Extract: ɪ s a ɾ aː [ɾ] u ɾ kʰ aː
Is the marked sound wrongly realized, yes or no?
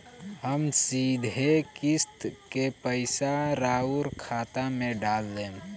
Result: yes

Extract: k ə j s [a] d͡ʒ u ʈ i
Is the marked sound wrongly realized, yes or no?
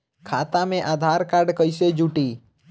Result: yes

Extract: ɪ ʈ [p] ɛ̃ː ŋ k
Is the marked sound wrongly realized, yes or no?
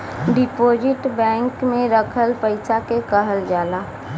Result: yes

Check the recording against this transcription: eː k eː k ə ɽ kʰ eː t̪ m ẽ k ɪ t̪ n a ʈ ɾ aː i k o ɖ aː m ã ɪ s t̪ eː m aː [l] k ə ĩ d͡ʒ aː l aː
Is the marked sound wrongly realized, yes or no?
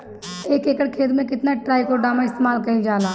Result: no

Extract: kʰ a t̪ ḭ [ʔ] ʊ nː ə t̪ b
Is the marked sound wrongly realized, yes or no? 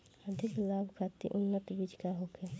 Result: no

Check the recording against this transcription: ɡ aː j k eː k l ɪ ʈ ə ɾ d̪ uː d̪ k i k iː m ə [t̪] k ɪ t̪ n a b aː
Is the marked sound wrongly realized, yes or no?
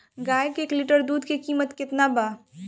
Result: no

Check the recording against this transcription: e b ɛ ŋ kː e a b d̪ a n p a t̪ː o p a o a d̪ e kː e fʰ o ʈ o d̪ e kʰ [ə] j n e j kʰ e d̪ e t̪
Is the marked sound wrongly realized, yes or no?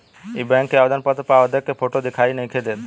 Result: yes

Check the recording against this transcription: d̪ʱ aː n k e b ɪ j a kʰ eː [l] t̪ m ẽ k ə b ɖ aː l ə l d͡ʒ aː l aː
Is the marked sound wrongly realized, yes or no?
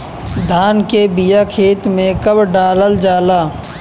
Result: yes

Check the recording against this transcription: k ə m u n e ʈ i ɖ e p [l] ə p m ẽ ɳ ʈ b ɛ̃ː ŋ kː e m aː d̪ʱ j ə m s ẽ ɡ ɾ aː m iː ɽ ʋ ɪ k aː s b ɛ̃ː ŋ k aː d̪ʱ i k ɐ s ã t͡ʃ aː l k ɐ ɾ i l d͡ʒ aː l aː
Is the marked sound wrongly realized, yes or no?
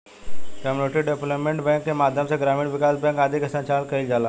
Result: no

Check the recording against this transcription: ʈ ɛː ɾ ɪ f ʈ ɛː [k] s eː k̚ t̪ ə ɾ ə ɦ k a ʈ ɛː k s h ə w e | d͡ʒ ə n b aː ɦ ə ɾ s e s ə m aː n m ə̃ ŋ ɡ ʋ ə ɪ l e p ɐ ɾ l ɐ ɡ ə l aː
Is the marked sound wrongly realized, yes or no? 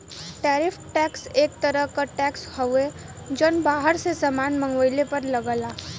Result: no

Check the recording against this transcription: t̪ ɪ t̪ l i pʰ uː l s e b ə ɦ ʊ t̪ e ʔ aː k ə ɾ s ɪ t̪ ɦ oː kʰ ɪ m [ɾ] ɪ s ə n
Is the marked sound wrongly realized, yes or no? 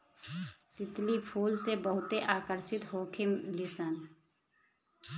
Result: yes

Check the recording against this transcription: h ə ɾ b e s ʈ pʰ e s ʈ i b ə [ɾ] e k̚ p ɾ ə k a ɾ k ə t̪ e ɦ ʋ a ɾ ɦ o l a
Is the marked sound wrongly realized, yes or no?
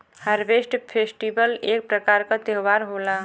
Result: yes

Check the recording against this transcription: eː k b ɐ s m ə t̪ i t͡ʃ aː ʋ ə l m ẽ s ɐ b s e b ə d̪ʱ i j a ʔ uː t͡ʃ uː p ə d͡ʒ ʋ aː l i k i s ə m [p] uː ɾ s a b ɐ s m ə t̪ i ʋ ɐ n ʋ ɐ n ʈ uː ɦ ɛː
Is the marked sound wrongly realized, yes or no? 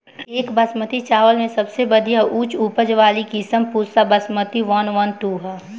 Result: no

